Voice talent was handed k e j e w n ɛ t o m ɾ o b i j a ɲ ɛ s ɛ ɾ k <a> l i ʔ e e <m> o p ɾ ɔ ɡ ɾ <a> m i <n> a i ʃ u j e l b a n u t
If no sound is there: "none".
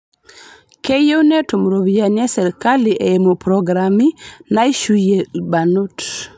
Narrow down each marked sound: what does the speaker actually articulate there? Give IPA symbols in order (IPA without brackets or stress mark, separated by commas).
a, m, a, n